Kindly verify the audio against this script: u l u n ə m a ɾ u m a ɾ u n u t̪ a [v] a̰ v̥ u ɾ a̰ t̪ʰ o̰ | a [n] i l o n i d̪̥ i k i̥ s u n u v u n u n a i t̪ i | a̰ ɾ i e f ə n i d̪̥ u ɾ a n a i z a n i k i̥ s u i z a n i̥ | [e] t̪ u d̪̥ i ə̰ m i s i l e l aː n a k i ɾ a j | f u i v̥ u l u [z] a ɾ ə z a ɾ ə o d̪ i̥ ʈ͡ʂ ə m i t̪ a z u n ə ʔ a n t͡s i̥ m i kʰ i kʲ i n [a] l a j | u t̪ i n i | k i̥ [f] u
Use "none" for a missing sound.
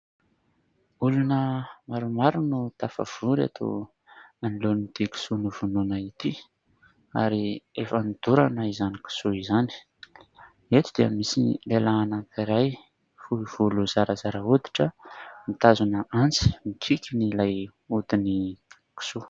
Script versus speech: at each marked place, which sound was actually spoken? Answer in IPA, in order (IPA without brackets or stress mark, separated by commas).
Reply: f, n, e, z, i, s